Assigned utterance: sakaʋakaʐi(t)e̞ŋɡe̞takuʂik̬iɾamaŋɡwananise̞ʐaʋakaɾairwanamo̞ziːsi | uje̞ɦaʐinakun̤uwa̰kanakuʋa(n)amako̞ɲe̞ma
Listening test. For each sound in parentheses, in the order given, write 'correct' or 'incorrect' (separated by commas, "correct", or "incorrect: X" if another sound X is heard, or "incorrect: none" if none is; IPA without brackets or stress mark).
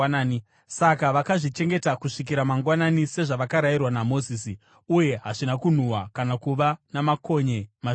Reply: incorrect: t͡ʃ, correct